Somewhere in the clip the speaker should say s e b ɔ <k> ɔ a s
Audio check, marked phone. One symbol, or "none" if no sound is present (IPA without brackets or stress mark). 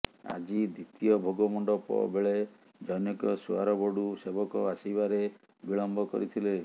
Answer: k